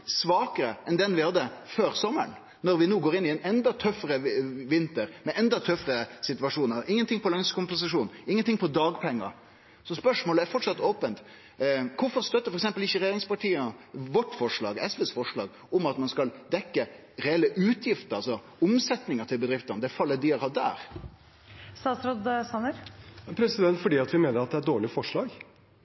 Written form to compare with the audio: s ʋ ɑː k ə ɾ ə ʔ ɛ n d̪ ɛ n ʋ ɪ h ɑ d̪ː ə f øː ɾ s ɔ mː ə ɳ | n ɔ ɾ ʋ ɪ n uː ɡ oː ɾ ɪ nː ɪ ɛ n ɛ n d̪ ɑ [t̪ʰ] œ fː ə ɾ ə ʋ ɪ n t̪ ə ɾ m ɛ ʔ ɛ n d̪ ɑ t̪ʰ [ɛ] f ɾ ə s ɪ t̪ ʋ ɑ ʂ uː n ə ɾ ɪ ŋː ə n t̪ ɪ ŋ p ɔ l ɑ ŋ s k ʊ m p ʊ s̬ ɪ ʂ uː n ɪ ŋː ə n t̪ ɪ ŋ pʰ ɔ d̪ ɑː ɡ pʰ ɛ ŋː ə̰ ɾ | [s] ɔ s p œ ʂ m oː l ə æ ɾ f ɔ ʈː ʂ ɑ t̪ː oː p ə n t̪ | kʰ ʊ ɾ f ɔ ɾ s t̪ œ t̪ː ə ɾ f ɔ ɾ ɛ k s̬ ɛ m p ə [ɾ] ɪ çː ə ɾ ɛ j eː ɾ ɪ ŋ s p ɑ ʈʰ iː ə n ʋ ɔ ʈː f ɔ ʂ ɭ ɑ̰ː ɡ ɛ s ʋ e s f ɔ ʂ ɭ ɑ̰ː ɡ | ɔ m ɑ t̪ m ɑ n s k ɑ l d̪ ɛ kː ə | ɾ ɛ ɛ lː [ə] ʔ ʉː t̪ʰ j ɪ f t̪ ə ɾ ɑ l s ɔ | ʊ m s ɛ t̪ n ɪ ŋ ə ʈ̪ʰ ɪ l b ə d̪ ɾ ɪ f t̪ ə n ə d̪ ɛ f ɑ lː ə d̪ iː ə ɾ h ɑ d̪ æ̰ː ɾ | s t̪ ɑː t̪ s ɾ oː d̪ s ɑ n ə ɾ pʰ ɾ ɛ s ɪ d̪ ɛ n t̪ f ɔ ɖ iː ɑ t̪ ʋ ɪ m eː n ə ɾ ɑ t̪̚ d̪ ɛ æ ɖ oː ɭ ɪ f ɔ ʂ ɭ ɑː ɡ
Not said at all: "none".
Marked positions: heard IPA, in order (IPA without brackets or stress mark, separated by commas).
t̪ʰ, œ, s, l, ə